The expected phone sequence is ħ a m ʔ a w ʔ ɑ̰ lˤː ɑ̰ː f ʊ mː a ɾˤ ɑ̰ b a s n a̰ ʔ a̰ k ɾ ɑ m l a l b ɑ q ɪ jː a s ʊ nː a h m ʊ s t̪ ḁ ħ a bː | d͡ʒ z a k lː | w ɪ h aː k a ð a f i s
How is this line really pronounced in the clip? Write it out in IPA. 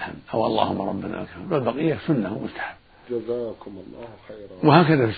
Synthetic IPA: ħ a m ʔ a w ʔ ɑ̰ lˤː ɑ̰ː h ʊ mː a ɾˤ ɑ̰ bː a n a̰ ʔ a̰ k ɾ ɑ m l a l b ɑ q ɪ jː a s ʊ nː a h m ʊ s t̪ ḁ ħ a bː | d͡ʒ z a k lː | w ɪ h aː k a ð a f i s